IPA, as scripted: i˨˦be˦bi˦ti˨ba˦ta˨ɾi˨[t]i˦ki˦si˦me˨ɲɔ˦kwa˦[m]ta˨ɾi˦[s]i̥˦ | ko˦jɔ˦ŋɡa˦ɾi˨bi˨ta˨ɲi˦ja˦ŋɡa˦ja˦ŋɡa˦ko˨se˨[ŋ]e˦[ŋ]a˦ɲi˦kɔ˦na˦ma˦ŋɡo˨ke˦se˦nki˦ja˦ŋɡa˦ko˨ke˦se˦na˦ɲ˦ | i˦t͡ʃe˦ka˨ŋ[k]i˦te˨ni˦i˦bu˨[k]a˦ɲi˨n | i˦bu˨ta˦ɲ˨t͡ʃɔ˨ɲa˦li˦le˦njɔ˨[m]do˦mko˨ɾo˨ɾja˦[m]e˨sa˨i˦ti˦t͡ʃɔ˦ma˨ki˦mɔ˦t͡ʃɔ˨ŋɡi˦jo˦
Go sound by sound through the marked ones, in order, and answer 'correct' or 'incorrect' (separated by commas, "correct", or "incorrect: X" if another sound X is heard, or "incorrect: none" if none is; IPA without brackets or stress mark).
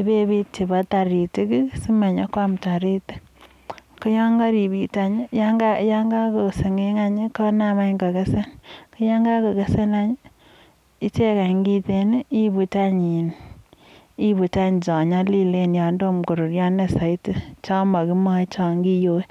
correct, correct, incorrect: t, correct, correct, incorrect: ɡ, incorrect: t, incorrect: n, incorrect: n